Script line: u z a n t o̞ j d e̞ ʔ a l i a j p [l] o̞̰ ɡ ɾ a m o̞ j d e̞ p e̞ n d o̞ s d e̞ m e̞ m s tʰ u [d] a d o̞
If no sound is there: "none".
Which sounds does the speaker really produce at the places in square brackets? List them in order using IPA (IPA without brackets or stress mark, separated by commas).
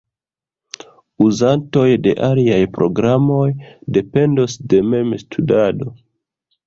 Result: ɾ, d